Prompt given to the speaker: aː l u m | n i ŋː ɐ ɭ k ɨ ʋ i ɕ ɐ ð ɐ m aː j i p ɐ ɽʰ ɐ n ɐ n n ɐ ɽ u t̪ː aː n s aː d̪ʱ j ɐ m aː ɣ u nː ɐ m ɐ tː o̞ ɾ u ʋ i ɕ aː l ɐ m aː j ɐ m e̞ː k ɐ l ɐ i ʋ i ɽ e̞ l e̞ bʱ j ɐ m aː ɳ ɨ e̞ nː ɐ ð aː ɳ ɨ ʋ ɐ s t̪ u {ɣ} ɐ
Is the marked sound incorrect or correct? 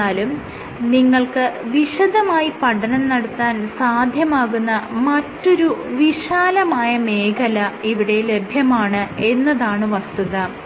incorrect: ð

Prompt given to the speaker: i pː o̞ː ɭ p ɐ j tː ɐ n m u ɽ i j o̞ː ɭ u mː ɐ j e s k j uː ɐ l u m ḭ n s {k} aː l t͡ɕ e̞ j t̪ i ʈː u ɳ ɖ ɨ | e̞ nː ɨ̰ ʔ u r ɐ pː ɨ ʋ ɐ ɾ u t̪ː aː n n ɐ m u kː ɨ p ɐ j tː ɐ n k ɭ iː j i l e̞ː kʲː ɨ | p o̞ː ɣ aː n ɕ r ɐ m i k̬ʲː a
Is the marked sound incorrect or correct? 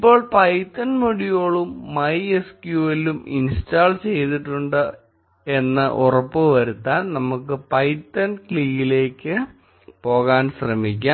incorrect: t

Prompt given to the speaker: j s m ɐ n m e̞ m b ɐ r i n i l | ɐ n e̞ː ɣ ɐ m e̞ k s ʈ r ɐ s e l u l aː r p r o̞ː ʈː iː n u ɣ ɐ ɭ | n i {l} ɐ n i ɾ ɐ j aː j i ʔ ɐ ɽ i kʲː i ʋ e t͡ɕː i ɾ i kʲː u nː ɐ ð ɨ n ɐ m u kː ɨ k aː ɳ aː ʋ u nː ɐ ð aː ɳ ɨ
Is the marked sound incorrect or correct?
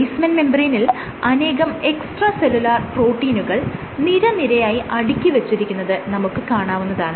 incorrect: ɾ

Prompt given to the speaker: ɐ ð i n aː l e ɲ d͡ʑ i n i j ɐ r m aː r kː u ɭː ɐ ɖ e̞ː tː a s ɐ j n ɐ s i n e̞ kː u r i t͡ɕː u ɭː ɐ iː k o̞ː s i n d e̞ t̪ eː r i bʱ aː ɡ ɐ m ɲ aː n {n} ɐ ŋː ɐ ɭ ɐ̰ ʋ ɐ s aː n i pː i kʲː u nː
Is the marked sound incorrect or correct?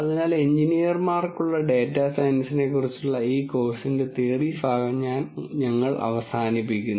incorrect: ɲ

